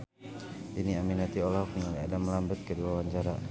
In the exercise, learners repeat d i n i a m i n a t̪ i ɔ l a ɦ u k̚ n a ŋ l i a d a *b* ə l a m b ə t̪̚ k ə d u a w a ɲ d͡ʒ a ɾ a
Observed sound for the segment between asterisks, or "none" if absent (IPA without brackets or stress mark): m